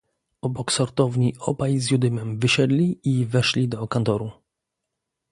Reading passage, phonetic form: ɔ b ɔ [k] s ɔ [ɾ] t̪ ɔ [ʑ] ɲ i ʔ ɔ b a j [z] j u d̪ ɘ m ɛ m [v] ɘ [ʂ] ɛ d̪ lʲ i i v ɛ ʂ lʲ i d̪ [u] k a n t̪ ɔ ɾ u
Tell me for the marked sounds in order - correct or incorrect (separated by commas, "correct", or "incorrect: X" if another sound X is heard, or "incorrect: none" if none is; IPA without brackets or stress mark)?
correct, correct, incorrect: v, correct, correct, incorrect: ɕ, incorrect: ɔ